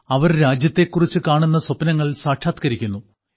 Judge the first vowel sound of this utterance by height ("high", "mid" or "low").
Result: low